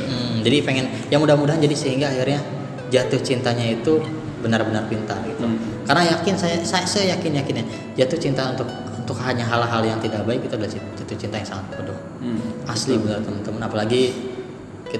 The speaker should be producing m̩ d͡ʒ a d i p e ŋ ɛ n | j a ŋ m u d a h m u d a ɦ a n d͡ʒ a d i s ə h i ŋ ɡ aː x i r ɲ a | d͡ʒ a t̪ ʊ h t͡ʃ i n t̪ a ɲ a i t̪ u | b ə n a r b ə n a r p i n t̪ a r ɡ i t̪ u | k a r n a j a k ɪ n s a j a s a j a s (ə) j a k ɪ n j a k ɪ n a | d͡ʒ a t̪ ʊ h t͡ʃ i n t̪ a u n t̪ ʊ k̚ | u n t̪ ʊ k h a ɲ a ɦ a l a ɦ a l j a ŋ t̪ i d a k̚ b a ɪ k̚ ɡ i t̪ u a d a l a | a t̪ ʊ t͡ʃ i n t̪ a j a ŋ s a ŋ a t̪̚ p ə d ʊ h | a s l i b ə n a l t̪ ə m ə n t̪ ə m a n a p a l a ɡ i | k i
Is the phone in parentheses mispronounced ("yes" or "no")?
no